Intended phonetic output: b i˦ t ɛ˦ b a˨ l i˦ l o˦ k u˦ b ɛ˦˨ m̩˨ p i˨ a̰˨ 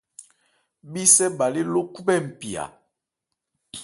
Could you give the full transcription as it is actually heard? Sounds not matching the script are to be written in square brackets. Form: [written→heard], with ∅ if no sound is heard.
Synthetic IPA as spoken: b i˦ [t→s] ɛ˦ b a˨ l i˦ l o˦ k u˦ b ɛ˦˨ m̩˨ p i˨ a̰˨